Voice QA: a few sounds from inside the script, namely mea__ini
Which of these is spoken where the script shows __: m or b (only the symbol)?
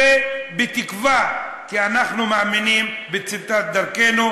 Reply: m